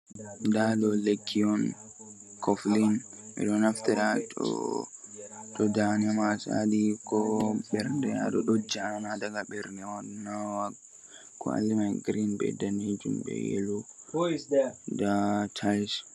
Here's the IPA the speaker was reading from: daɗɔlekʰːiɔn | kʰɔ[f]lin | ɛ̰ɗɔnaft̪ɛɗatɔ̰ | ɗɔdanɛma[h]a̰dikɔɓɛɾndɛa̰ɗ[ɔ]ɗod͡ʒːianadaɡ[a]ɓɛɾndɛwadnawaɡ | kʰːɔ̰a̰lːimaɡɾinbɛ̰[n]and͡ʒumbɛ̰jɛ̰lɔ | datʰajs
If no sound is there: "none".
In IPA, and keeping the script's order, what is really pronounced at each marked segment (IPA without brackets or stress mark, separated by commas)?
f, s, ɔ, a, d